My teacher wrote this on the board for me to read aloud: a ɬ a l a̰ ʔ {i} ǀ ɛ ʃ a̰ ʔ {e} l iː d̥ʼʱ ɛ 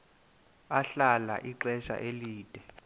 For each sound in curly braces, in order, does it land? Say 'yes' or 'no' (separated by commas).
yes, yes